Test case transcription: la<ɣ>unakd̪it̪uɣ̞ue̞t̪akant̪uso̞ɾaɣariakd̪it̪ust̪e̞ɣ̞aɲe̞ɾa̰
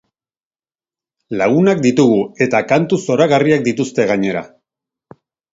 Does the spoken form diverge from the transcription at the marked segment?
no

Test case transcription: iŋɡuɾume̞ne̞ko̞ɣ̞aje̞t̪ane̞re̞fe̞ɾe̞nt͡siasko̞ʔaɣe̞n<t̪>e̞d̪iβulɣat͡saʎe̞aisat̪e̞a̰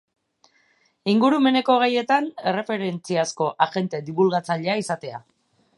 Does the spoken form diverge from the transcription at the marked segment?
no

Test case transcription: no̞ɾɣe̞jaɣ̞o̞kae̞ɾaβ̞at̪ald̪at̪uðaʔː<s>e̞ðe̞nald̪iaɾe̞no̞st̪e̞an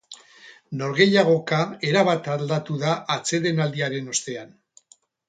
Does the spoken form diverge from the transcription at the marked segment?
yes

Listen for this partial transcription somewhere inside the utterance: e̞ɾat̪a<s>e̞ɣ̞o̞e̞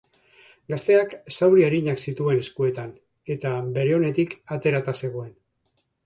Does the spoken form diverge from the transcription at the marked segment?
no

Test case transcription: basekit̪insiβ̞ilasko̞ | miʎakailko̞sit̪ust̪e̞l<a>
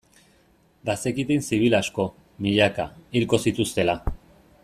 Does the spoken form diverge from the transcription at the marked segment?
no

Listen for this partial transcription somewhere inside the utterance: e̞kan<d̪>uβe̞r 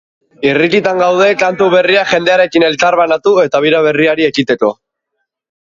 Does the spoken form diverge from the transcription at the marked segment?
yes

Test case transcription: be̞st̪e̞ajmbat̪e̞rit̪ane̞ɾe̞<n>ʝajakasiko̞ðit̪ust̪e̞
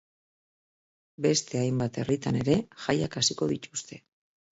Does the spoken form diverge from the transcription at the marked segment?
yes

